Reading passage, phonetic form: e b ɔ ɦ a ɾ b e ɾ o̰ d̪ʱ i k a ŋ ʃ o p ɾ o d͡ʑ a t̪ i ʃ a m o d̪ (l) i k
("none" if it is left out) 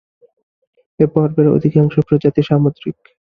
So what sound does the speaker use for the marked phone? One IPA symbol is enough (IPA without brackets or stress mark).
ɾ